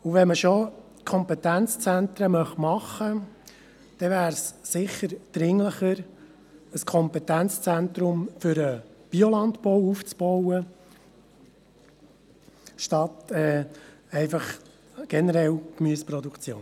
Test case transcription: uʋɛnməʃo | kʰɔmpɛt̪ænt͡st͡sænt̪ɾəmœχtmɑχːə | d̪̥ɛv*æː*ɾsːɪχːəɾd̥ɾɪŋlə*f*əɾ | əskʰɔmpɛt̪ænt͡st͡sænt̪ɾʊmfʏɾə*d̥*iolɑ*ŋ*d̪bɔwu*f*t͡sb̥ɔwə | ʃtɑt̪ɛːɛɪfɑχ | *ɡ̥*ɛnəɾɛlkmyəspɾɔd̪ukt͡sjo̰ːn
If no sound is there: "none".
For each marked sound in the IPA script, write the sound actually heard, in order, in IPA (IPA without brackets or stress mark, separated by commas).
æː, χ, b̥, n, f, ɡ̥